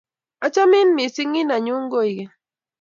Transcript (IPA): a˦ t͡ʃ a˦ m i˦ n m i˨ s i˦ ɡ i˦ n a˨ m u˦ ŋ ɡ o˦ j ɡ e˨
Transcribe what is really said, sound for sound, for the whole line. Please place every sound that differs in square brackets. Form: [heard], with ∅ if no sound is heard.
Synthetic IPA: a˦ t͡ʃ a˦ m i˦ n m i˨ s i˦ [ŋ] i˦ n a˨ [ɲ] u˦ ŋ ɡ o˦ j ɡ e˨